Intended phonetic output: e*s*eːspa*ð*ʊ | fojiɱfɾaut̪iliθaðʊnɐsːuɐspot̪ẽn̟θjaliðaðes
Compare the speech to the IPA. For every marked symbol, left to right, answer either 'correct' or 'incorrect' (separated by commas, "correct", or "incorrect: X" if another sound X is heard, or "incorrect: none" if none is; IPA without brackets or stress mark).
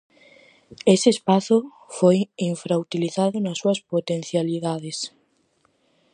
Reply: correct, incorrect: θ